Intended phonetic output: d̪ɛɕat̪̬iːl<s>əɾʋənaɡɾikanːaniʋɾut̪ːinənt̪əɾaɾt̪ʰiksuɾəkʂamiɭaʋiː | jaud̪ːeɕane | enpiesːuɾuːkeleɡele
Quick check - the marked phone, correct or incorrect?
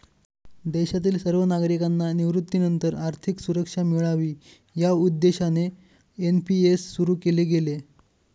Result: correct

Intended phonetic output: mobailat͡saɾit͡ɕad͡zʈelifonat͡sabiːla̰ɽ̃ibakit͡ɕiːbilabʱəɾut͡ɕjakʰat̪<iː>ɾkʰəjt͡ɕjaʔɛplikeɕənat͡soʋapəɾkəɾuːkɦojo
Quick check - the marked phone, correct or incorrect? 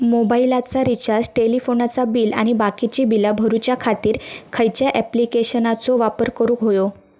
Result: correct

